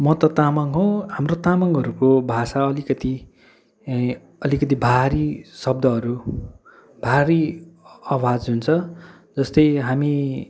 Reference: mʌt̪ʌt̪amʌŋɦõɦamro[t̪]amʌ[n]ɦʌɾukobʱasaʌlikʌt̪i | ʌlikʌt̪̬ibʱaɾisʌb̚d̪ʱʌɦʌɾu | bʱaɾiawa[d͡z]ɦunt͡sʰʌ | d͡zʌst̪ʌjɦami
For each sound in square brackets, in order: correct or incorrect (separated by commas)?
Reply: correct, incorrect, correct